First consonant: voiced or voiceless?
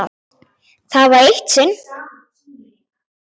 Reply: voiceless